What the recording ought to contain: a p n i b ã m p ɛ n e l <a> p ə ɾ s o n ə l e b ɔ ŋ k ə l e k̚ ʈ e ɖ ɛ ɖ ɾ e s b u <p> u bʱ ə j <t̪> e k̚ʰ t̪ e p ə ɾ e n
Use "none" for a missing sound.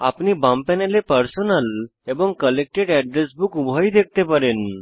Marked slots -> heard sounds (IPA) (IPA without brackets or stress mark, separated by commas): e, k, d̪